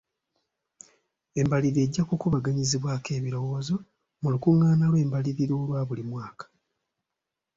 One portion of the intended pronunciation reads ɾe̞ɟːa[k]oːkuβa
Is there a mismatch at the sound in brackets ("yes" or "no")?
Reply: no